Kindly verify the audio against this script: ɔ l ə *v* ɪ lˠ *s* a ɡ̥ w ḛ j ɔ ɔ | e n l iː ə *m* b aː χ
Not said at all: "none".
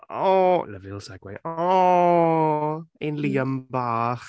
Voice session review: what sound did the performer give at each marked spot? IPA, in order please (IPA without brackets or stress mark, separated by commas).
v, s, m